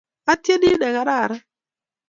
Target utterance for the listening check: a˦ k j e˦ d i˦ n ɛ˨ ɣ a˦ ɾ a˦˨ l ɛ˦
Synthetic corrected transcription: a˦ t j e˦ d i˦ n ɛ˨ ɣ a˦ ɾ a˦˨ ɾ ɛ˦